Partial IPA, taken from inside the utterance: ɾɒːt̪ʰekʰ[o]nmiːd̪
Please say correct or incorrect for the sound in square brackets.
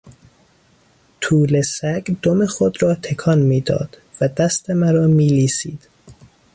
incorrect